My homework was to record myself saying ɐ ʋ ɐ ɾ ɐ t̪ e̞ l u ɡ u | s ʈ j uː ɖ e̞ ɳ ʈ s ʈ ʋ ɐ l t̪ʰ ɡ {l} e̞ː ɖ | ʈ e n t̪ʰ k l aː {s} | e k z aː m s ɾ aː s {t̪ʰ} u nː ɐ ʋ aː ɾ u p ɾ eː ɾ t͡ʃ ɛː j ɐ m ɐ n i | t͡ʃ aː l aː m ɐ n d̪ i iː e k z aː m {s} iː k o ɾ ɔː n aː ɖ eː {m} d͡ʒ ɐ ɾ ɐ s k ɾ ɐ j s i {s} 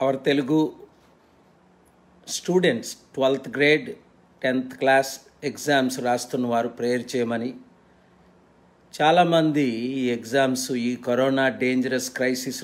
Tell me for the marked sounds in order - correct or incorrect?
incorrect: ɾ, correct, incorrect: t̪, correct, incorrect: ɲ, correct

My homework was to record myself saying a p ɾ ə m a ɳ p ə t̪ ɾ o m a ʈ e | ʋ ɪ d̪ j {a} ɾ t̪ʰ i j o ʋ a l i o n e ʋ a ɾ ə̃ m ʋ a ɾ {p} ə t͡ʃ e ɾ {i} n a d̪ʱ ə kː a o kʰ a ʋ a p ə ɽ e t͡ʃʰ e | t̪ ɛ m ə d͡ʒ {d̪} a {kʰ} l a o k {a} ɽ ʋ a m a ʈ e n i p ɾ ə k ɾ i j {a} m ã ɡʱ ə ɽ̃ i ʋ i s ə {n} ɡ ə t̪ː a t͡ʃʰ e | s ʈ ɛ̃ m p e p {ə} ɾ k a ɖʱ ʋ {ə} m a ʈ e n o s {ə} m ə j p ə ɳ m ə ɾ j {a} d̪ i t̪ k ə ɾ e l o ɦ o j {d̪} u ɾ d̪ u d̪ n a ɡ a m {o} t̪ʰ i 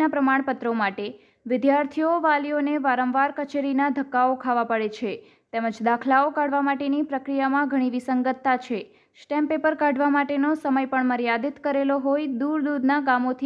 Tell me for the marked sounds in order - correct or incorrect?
correct, incorrect: k, correct, correct, correct, correct, correct, incorrect: ŋ, correct, incorrect: a, correct, correct, correct, correct

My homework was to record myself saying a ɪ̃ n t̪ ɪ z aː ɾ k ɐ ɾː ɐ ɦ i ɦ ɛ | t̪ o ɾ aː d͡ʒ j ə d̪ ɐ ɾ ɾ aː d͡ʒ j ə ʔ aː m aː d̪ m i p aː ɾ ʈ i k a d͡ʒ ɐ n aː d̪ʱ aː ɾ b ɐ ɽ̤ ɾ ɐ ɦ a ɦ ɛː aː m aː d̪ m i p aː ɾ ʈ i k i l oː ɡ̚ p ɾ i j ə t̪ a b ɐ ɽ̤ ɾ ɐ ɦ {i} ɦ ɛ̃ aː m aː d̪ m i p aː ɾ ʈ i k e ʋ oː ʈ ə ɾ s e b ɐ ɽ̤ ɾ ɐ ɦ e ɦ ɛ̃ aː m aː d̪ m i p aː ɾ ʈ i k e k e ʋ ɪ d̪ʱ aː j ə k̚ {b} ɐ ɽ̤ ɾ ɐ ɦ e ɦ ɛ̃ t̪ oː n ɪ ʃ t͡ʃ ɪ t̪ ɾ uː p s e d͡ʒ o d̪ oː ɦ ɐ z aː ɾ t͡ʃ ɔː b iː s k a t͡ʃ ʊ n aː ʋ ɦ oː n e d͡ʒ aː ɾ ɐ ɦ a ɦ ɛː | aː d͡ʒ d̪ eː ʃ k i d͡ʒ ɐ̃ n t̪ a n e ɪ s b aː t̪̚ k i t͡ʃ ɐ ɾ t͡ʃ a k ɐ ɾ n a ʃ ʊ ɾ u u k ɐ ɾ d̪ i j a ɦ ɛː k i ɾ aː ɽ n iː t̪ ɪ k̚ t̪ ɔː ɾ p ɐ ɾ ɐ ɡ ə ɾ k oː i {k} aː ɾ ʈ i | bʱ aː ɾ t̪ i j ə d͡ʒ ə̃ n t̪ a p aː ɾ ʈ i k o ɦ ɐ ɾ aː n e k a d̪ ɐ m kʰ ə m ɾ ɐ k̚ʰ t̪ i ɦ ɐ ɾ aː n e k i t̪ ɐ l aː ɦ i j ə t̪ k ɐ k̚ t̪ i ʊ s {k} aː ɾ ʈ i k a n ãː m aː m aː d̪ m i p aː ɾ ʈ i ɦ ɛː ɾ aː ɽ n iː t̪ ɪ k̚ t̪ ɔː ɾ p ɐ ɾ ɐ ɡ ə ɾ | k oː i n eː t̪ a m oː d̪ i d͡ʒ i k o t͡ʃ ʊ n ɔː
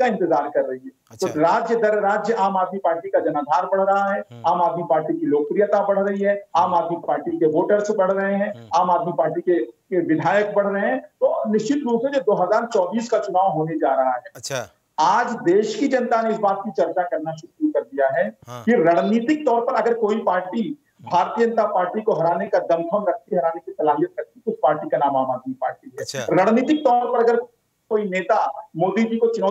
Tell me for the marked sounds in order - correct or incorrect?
correct, correct, incorrect: p, incorrect: p

